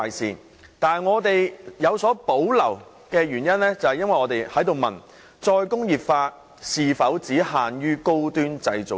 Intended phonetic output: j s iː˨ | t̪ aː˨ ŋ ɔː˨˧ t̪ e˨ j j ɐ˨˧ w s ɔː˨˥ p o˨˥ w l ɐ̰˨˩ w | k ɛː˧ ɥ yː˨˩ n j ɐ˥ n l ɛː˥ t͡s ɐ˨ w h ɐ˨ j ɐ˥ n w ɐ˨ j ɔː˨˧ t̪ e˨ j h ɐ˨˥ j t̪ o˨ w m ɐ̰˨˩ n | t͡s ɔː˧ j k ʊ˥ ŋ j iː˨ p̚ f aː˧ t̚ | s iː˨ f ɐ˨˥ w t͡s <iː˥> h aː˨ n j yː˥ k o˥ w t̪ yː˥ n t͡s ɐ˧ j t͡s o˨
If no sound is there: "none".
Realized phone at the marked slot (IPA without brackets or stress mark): iː˨˥